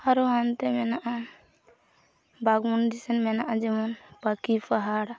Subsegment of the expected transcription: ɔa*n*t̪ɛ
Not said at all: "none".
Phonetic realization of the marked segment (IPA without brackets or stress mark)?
n